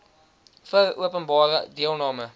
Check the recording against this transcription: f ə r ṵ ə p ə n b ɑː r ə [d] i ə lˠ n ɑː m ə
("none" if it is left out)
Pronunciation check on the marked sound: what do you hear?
d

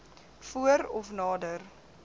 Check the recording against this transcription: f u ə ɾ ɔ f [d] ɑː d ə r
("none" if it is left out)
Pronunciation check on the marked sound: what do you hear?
n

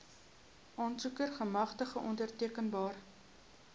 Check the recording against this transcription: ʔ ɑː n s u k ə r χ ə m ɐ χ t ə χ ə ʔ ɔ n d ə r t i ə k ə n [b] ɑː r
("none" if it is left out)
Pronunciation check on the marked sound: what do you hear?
b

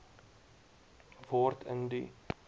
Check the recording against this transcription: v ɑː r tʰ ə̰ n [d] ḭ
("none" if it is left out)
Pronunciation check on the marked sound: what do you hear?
d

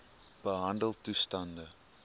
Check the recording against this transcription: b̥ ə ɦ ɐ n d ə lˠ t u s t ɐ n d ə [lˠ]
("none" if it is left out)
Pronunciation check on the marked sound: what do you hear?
none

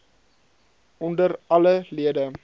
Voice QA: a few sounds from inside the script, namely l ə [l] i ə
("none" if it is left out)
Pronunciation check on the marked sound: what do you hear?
l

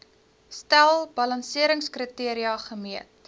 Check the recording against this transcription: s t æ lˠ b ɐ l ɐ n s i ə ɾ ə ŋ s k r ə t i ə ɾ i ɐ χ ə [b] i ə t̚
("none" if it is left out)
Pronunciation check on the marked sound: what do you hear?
m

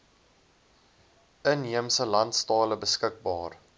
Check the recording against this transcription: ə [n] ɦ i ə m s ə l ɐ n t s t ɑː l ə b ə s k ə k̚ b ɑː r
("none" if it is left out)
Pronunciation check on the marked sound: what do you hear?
n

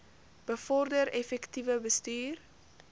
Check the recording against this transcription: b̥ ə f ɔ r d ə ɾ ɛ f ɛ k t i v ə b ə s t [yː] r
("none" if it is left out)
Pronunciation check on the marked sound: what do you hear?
yː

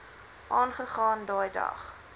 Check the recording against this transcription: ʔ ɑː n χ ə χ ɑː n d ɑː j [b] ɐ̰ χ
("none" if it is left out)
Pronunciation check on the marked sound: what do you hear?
d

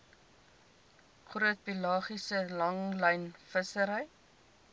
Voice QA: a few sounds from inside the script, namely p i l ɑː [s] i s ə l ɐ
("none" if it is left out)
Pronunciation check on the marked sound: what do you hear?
χ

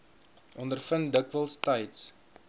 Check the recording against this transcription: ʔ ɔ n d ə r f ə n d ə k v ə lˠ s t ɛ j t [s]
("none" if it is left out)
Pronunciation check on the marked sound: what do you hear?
s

